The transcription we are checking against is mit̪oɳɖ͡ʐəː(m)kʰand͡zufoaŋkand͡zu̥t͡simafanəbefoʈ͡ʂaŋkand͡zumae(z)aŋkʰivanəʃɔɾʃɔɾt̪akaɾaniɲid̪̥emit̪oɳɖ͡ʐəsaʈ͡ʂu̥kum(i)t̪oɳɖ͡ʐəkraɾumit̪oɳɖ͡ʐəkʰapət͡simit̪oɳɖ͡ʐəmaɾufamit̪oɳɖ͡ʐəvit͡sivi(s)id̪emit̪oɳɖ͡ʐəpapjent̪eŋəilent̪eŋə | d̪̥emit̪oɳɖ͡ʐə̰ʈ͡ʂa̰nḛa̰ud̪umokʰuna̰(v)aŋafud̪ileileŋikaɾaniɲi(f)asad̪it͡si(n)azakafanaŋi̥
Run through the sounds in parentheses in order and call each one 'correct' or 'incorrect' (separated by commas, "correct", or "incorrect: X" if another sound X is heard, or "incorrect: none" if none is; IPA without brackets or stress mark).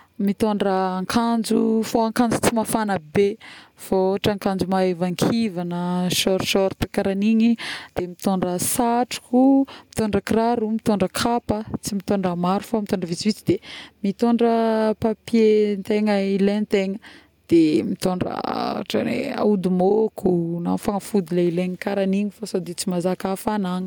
incorrect: ŋ, incorrect: v, correct, incorrect: t͡s, incorrect: f, correct, incorrect: m